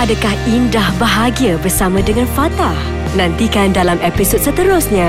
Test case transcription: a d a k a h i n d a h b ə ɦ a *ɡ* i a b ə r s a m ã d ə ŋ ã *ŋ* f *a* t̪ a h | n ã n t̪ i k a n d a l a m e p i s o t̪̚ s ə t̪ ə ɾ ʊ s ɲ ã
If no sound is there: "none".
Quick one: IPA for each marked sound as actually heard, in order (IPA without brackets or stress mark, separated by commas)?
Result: ɡ, n, a